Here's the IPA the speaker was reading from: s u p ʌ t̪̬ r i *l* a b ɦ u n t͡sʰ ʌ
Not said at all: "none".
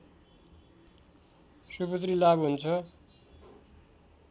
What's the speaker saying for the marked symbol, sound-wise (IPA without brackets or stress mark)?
l